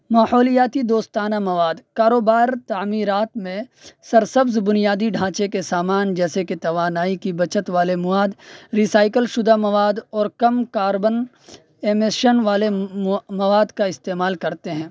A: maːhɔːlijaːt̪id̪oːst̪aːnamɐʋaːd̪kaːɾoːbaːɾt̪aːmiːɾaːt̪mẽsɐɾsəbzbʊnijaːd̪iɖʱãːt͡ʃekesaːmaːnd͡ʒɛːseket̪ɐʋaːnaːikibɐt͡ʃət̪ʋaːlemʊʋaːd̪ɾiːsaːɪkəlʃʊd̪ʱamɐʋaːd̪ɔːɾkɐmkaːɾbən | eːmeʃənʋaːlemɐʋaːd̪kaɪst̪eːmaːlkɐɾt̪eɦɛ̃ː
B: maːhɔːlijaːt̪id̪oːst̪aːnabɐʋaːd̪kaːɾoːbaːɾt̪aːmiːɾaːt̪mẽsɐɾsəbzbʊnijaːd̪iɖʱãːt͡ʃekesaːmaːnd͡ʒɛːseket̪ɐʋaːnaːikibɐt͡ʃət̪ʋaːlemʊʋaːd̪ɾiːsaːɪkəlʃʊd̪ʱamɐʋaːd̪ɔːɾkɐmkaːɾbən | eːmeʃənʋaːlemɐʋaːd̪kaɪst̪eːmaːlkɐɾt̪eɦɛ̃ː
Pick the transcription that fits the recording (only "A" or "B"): A